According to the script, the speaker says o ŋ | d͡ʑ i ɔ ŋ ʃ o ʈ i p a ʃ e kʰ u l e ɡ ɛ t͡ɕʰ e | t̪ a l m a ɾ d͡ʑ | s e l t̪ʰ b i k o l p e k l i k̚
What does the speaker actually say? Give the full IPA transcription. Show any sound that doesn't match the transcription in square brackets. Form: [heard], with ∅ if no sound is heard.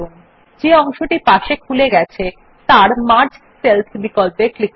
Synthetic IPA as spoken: o ŋ | d͡ʑ [e] ɔ ŋ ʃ o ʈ i p a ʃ e kʰ u l e ɡ ɛ t͡ɕʰ e | t̪ a [ɾ] m a ɾ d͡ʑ | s e l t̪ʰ b i k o l p e k l i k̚